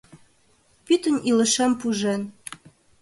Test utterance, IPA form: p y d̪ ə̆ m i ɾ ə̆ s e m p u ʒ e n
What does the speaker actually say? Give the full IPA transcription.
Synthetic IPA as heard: p y t̪ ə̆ n i l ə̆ ʃ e m p u ʒ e n